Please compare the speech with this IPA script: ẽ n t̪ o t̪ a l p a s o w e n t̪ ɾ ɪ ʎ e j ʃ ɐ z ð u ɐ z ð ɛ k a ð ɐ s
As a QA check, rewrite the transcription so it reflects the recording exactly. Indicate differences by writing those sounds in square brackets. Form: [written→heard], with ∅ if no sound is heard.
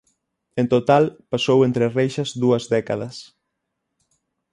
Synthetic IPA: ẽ n t̪ o t̪ a l p a s o w e n t̪ ɾ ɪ [ʎ→r] e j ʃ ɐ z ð u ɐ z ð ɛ k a ð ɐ s